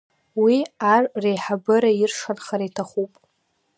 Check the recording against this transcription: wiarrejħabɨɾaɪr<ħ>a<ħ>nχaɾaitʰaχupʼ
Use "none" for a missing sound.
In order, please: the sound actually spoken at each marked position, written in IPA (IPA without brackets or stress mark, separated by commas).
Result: ʂ, none